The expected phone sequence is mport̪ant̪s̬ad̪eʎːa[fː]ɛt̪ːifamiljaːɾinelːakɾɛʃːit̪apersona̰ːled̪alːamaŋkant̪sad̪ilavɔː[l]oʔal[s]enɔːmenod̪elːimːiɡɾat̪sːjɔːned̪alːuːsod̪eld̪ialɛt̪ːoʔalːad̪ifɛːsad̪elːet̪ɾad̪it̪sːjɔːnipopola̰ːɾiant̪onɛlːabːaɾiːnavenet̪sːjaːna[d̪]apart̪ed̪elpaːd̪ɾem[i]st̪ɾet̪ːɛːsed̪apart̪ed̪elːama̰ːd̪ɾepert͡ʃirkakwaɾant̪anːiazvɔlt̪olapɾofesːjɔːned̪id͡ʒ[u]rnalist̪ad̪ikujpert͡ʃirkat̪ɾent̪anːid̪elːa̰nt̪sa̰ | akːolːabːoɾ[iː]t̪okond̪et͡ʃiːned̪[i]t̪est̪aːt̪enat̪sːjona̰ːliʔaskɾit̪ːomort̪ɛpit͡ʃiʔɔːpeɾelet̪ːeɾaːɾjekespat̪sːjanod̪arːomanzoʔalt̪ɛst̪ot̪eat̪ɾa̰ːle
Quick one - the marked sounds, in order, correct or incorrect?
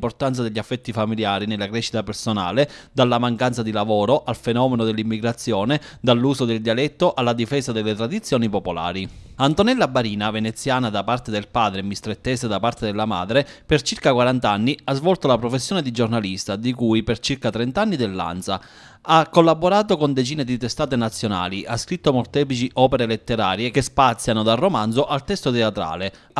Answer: correct, incorrect, incorrect, correct, correct, incorrect, incorrect, correct

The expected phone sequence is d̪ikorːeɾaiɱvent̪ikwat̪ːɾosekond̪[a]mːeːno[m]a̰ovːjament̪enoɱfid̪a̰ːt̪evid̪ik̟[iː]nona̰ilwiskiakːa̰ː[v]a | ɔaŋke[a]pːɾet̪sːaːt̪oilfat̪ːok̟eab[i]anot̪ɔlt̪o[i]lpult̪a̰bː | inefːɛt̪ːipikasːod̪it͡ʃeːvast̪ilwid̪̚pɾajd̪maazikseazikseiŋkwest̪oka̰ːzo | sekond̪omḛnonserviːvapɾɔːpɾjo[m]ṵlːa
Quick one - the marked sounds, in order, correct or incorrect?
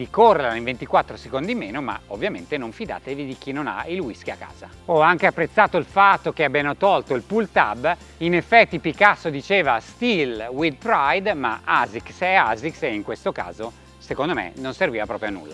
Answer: incorrect, correct, incorrect, incorrect, correct, incorrect, correct, incorrect

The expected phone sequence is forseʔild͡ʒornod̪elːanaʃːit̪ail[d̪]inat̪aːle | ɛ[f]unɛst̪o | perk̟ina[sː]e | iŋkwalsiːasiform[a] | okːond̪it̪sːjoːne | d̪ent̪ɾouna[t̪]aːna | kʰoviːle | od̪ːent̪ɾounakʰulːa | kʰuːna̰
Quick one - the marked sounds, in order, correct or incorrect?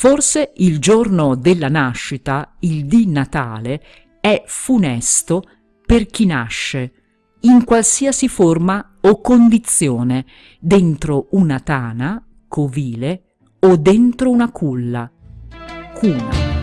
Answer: correct, correct, incorrect, correct, correct

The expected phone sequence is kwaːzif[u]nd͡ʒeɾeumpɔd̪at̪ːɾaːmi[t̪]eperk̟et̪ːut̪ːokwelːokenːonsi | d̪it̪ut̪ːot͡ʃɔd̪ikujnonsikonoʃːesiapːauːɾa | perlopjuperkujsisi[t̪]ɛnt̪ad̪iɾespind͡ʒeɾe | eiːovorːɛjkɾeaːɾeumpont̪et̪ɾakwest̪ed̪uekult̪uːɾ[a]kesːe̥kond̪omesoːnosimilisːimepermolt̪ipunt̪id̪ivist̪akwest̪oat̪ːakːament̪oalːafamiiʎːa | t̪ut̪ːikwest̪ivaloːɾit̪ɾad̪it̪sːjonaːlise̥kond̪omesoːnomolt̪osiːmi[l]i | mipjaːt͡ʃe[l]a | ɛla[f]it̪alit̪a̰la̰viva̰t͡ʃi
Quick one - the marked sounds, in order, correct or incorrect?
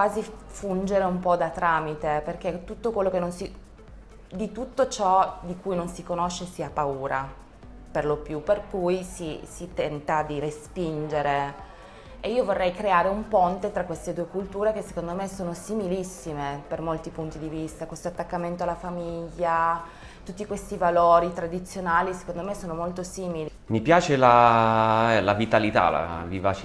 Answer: correct, correct, correct, incorrect, correct, correct, incorrect

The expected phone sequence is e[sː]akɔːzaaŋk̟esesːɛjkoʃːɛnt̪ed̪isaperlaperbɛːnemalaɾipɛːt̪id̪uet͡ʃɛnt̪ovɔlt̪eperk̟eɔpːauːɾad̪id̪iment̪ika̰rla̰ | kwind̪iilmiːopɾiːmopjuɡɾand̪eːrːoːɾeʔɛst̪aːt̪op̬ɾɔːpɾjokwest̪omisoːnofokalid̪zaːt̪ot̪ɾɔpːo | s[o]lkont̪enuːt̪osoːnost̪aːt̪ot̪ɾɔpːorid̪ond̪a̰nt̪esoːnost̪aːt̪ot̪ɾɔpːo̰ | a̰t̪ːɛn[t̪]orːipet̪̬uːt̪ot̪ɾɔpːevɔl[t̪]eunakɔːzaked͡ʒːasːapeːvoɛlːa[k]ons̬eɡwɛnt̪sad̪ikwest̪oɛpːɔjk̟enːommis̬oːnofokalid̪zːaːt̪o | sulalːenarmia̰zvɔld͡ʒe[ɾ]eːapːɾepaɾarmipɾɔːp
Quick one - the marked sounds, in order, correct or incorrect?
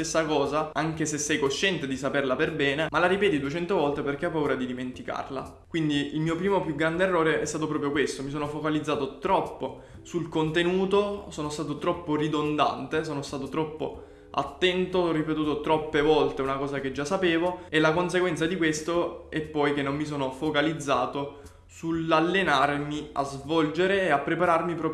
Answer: correct, incorrect, correct, correct, correct, correct

